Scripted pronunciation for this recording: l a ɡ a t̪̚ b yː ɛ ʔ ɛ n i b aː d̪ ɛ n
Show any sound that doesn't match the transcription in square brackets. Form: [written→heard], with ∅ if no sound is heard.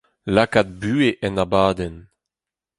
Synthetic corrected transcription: l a [ɡ→k] a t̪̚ b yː [ɛ→e] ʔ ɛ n [i→a] b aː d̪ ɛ n